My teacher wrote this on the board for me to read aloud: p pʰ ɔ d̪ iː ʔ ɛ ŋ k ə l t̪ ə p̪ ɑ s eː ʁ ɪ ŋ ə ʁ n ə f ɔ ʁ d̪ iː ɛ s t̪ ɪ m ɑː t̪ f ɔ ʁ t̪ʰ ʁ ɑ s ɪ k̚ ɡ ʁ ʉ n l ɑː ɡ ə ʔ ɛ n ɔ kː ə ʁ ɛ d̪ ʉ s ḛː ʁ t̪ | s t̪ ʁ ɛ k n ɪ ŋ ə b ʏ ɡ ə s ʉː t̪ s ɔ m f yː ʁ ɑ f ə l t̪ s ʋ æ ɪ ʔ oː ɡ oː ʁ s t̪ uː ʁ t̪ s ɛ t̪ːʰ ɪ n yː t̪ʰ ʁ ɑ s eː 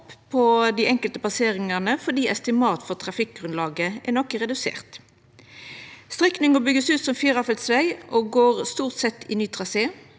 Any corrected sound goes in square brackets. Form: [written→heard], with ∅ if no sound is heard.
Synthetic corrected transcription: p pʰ ɔ d̪ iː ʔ ɛ ŋ k ə l t̪ ə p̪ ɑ s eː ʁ ɪ ŋ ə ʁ n ə f ɔ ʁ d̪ iː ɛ s t̪ ɪ m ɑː t̪ f ɔ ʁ t̪ʰ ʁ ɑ [s→f] ɪ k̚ ɡ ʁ ʉ n l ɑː ɡ ə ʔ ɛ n ɔ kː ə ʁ ɛ d̪ ʉ s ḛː ʁ t̪ | s t̪ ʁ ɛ k n ɪ ŋ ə b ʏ ɡ ə s ʉː t̪ s ɔ m f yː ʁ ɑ f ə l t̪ s ʋ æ ɪ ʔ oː ɡ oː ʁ s t̪ uː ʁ t̪ s ɛ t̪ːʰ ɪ n yː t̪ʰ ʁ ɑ s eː